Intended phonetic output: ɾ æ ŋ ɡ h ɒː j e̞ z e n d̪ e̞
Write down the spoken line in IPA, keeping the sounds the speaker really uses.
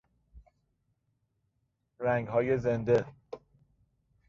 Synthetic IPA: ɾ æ ŋ ɡ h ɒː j e̞ z e n d̪ e̞